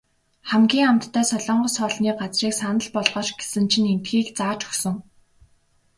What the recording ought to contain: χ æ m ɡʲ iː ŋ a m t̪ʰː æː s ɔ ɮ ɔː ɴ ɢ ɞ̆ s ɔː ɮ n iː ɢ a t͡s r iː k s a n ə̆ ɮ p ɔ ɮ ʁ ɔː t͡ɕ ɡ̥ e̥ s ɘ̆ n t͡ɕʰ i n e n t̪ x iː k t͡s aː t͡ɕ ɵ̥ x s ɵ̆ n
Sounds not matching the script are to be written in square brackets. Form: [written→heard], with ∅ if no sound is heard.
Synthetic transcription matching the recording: χ æ m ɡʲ iː ŋ a m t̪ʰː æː s ɔ ɮ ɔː ɴ ɢ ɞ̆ s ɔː ɮ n iː ɢ a t͡s r iː k s a n ə̆ ɮ p ɔ ɮ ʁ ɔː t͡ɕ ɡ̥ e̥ s ɘ̆ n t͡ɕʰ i n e n t̪ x iː k t͡s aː t͡ɕ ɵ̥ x s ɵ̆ [n→ŋ]